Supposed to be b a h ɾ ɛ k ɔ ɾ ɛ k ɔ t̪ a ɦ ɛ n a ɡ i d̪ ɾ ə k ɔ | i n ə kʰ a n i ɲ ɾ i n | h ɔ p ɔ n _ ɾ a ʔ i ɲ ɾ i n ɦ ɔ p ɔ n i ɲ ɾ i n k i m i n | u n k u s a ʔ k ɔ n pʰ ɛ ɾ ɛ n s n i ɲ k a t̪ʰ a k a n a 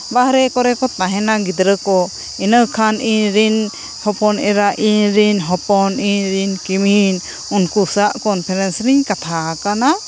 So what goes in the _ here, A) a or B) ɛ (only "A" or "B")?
B